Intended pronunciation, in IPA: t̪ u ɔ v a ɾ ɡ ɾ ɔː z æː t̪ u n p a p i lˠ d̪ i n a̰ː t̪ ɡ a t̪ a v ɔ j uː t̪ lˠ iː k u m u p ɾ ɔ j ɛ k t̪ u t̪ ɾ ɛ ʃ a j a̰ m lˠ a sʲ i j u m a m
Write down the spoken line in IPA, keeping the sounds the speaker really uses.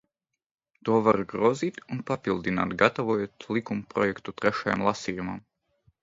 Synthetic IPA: t̪ u ɔ v a ɾ ɡ ɾ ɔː z iː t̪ u n p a p i lˠ d̪ i n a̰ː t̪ ɡ a t̪ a v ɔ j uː t̪ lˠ i k u m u p ɾ ɔ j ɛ k t̪ u t̪ ɾ ɛ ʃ a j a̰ m lˠ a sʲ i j u m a m

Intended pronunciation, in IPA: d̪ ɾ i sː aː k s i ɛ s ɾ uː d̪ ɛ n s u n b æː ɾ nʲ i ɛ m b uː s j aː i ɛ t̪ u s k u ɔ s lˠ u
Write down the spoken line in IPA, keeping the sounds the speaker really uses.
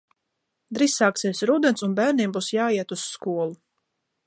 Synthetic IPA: d̪ ɾ i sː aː k s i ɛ s ɾ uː d̪ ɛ n s u n b æː ɾ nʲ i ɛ m b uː s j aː i ɛ t̪ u s k u ɔ lˠ u

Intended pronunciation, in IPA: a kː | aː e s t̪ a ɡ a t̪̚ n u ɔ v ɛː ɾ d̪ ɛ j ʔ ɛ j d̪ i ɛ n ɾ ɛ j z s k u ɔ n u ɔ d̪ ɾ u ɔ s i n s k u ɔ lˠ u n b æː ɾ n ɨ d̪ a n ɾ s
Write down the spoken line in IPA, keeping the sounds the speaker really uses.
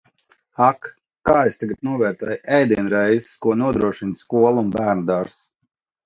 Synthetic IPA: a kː | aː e s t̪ a ɡ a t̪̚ n u ɔ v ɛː ɾ t̪ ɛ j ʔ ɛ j d̪ i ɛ n ɾ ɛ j z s k u ɔ n u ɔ d̪ ɾ u ɔ ʃ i n s k u ɔ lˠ u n b æː ɾ n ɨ d̪ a ɾ s

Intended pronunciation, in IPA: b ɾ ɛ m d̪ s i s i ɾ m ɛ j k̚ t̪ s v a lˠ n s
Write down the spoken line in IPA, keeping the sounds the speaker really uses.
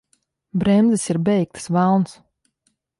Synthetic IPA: b ɾ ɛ m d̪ z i s i ɾ b ɛ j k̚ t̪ s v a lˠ n s

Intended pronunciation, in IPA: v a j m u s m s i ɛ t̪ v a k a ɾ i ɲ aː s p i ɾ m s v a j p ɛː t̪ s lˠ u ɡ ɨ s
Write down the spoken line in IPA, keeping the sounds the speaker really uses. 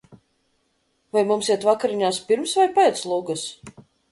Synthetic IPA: v a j m u m s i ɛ t̪ v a k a ɾ i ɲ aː s p i ɾ m s v a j p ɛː t̪ s lˠ u ɡ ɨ s

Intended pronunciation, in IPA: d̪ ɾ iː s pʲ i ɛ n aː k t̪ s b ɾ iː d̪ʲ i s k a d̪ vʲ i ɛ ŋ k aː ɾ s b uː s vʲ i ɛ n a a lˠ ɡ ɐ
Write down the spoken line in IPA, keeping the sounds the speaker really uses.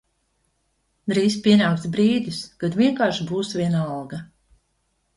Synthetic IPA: d̪ ɾ iː s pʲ i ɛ n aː k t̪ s b ɾ iː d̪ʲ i s k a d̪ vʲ i ɛ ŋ k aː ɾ ʃ b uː s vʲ i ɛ n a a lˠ ɡ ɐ

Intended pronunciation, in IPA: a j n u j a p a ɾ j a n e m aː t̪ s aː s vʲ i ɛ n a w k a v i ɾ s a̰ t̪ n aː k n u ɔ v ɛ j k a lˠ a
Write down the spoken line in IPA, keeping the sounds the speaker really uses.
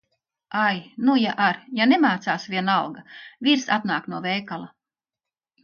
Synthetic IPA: a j n u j a ʔ a ɾ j a n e m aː t̪ s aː s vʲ i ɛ n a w ɡ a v i ɾ s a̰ t̪ n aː k n u ɔ v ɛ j k a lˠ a

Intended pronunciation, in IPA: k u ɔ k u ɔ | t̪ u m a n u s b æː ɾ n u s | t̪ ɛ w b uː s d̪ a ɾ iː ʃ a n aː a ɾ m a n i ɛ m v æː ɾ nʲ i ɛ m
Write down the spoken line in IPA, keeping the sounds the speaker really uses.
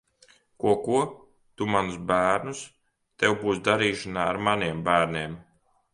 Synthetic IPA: k u ɔ k u ɔ | t̪ u m a n u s b æː ɾ n u s | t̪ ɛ w b uː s d̪ a ɾ iː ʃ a n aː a ɾ m a n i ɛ m b æː ɾ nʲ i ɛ m

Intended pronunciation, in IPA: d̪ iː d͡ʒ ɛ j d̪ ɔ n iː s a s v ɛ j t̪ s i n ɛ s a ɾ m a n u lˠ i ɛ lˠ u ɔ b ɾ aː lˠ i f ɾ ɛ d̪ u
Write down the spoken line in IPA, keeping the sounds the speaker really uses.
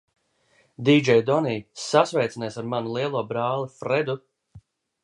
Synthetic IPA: d̪ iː d͡ʒ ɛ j d̪ ɔ n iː s a s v ɛ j t̪ s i n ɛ s a ɾ m a n u lˠ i ɛ lˠ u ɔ b ɾ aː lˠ i f ɾ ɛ d̪ u

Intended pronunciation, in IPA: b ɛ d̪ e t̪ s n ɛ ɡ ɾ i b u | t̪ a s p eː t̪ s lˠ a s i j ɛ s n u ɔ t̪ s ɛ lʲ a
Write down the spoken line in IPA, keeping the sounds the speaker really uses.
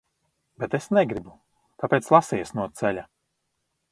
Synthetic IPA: b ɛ t̪ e s n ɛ ɡ ɾ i b u | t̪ a p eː t̪ s lˠ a s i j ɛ s n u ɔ t̪ s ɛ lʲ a

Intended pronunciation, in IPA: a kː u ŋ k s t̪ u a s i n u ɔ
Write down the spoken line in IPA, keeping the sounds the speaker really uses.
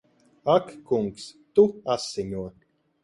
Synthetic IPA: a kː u ŋ k s t̪ u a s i ɲ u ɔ

